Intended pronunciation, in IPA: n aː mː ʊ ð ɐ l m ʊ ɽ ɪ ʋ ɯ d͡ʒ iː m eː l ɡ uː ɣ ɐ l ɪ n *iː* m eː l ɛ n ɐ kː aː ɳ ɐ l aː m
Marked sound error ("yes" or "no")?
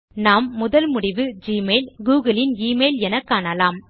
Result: no